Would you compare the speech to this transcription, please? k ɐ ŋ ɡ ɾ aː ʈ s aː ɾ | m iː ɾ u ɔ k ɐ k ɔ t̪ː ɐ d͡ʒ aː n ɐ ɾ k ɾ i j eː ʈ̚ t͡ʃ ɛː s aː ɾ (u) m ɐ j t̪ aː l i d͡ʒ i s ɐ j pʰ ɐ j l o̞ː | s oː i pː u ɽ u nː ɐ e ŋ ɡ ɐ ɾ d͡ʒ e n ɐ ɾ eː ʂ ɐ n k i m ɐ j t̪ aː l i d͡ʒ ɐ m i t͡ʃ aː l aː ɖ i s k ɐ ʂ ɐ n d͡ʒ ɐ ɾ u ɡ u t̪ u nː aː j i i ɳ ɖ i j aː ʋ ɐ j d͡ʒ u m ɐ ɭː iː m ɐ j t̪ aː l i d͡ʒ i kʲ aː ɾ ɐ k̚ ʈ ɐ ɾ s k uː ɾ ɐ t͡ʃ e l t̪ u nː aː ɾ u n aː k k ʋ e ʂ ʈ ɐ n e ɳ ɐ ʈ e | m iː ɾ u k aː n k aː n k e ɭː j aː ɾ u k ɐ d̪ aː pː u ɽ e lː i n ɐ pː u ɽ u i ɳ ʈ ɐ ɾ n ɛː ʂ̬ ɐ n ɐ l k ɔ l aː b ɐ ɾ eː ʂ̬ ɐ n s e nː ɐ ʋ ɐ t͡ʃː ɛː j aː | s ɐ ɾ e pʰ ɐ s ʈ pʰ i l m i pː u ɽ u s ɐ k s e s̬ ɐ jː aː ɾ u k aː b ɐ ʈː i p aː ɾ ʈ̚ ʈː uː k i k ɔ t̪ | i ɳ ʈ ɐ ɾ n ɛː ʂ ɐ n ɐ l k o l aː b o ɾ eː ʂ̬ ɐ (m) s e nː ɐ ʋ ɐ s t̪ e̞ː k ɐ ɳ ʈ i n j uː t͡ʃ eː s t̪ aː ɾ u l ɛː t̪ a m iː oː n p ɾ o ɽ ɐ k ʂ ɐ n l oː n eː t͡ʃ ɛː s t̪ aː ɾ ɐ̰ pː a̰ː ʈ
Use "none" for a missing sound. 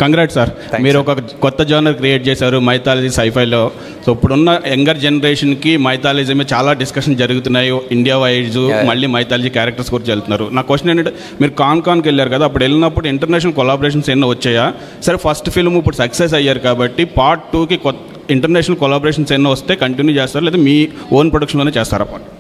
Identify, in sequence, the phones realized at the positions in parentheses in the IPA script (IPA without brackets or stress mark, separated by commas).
u, n